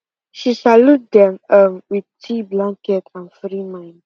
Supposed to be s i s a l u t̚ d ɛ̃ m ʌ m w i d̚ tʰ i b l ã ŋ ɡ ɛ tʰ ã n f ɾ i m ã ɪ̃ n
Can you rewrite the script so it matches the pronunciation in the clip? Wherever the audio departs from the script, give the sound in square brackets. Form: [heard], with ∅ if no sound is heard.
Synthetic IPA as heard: [ʃ] i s a l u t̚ d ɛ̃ m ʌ m w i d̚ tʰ i b l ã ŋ [k] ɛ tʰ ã n f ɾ i m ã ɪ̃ n